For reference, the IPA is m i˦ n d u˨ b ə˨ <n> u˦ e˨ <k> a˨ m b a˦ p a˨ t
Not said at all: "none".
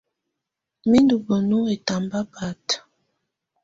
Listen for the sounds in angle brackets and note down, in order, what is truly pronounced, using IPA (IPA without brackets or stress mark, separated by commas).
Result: n, t